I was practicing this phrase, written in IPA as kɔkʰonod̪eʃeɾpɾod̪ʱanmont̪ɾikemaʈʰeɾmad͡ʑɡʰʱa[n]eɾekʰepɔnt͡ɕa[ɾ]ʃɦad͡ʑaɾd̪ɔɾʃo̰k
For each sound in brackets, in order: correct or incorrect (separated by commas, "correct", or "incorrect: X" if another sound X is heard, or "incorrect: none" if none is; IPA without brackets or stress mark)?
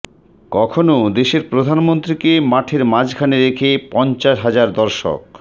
correct, incorrect: none